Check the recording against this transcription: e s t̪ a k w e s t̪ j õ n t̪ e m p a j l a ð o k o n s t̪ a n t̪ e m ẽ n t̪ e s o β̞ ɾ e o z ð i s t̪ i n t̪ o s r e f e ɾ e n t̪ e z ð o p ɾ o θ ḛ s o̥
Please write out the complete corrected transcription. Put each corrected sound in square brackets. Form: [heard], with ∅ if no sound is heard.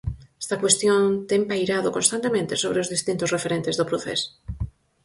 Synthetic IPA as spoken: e s t̪ a k w e s t̪ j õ n t̪ e m p a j [ɾ] a ð o k o n s t̪ a n t̪ e m ẽ n t̪ e s o β̞ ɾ e o z ð i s t̪ i n t̪ o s r e f e ɾ e n t̪ e z ð o p ɾ o θ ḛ s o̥